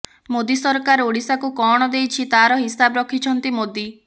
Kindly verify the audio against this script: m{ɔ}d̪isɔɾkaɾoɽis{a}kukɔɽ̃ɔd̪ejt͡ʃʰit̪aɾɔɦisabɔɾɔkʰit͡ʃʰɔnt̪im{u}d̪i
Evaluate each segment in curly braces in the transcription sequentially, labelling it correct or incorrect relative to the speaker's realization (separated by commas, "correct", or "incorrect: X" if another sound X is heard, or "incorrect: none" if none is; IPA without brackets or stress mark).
incorrect: o, correct, incorrect: o